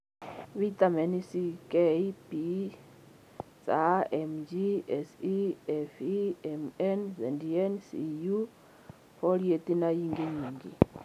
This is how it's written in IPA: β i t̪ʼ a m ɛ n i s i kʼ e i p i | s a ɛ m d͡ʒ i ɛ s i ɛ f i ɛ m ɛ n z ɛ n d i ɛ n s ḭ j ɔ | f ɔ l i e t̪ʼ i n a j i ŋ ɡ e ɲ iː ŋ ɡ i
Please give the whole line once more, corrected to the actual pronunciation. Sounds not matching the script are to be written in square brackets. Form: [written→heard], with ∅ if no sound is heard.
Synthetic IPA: β i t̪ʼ a m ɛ n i s i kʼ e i p i | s a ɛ m d͡ʒ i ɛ s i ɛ f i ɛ m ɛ n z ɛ n d i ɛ n s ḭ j [ɔ→u] | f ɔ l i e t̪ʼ i n a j i ŋ ɡ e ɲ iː ŋ ɡ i

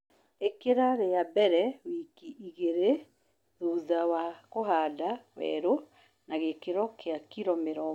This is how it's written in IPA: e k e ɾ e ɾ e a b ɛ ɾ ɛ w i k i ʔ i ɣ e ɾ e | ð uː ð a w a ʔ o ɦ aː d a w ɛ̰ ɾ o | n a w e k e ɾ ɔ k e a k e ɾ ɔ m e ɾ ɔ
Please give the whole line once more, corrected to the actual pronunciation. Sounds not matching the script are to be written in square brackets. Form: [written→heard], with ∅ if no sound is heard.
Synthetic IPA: e k e ɾ [e→a] ɾ e a b ɛ ɾ ɛ w i k i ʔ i ɣ e ɾ e | ð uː ð a w a [ʔ→k] o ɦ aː d a w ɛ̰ ɾ o | n a [w→ɣ] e k e ɾ ɔ k e a k [e→i] ɾ ɔ m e ɾ ɔ

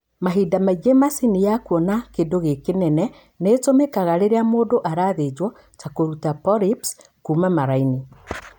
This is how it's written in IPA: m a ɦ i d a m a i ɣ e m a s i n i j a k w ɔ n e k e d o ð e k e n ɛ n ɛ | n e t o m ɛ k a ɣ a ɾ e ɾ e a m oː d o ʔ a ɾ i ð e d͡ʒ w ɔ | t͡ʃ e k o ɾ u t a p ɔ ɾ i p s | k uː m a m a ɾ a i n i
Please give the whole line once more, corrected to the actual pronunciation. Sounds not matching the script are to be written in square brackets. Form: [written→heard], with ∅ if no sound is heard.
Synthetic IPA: m a ɦ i d a m a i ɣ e m a s i n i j a k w ɔ n [e→a] k e d o [ð→ɣ] e k e n ɛ n ɛ | n e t o m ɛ k a ɣ a ɾ e ɾ e a m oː d o ʔ a ɾ [i→a] ð e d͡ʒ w ɔ | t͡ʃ [e→a] k o ɾ u t a p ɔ ɾ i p s | k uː m a m a ɾ a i n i

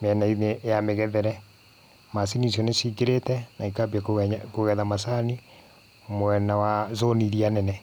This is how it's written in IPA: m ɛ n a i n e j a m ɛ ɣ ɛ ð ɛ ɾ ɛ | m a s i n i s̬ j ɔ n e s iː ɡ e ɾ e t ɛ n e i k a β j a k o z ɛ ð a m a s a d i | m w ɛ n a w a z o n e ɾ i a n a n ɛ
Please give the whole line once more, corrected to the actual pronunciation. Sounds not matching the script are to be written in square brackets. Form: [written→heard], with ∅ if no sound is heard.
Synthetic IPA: m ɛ n a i n e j a m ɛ ɣ ɛ ð ɛ ɾ ɛ | m a s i n i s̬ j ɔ n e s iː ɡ e ɾ e t ɛ n [e→a] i k a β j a k o [z→ɣ] ɛ ð a m a s a [d→n] i | m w ɛ n a w a z o n [e→i] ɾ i a n [a→ɛ] n ɛ

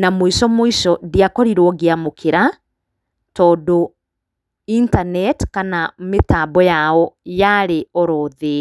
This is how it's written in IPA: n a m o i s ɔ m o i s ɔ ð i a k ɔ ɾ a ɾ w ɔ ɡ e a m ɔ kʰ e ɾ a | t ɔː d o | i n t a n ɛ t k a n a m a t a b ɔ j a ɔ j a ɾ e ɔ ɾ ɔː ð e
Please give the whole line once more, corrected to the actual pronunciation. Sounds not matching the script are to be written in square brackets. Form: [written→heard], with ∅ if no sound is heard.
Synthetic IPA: n a m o i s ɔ m o i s ɔ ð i a k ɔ ɾ [a→i] ɾ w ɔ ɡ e a m [ɔ→o] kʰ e ɾ a | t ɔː d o | i n t a n ɛ t k a n a m [a→e] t a b ɔ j a ɔ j a ɾ e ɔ ɾ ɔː ð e

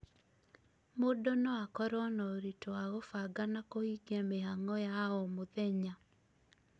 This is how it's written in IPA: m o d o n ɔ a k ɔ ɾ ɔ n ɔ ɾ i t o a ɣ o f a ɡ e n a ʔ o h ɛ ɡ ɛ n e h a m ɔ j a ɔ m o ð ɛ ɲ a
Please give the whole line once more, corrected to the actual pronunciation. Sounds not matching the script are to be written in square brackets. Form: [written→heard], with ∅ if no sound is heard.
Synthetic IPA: m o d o n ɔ a k ɔ ɾ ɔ n ɔ ɾ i t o a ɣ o f a ɡ [e→a] n a [ʔ→k] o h [ɛ→i] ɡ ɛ [n→m] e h a [m→ŋ] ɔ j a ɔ m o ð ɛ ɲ a

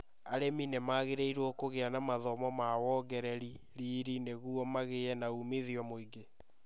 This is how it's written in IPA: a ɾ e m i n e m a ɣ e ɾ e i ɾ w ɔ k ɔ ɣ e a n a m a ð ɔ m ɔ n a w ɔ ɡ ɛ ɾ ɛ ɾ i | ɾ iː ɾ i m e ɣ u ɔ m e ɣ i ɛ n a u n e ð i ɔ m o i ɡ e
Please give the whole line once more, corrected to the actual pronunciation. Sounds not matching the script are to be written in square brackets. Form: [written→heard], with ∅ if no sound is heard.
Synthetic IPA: a ɾ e m i n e m a ɣ e ɾ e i ɾ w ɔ k [ɔ→o] ɣ e a n a m a ð ɔ m ɔ [n→m] a w ɔ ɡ ɛ ɾ ɛ ɾ i | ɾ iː ɾ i [m→n] e ɣ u ɔ m [e→a] ɣ [i→e] ɛ n a u [n→m] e ð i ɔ m o i ɡ e

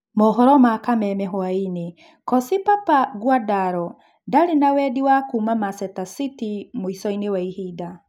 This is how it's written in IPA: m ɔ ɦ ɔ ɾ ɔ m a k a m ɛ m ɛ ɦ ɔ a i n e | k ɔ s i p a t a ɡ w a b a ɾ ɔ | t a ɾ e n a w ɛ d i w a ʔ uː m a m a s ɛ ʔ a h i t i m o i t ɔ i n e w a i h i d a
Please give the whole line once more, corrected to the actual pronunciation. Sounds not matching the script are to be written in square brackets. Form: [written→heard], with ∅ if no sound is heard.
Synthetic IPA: m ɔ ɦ ɔ ɾ ɔ m a k a m ɛ m ɛ ɦ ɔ a i n e | k ɔ s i p a [t→p] a ɡ w a [b→d] a ɾ ɔ | [t→d] a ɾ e n a w ɛ d i w a [ʔ→k] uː m a m a s ɛ [ʔ→t] a [h→s] i t i m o i [t→s] ɔ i n e w a i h i d a

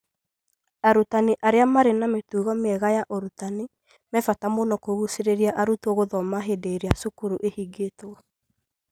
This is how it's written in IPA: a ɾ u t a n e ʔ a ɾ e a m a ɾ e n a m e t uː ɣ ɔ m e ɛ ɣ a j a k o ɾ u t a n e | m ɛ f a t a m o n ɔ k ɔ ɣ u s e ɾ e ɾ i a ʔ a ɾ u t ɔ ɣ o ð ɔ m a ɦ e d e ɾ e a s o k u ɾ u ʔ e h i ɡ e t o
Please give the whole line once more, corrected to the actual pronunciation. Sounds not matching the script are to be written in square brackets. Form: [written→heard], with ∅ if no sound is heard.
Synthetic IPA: a ɾ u t a n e ʔ a ɾ e a m a ɾ e n a m e t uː ɣ ɔ m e ɛ ɣ a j a [k→ʔ] o ɾ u t a n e | m ɛ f a t a m o n ɔ k [ɔ→o] ɣ u s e ɾ e ɾ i a ʔ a ɾ u t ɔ ɣ o ð ɔ m a ɦ e d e ɾ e a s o k u ɾ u ʔ e h i ɡ e t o

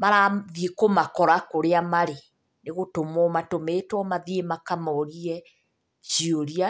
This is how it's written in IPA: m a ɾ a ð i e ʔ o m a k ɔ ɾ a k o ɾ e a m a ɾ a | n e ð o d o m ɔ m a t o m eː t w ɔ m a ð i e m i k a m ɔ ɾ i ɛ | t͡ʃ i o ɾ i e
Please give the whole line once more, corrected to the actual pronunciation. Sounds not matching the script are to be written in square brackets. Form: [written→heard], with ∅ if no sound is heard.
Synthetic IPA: m a ɾ a ð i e [ʔ→k] o m a k ɔ ɾ a k o ɾ e a m a ɾ [a→e] | n e [ð→ɣ] o [d→t] o m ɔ m a t o m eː t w ɔ m a ð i e m [i→a] k a m ɔ ɾ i ɛ | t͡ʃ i o ɾ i [e→a]

